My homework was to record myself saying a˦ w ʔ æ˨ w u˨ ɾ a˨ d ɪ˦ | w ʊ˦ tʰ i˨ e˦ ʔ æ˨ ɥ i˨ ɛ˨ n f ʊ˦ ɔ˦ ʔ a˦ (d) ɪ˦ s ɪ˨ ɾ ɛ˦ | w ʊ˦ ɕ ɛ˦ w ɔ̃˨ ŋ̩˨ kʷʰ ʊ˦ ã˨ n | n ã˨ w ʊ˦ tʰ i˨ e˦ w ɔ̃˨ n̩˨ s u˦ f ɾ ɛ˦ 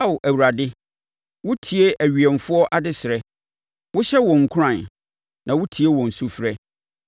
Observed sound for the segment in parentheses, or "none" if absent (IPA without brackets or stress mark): d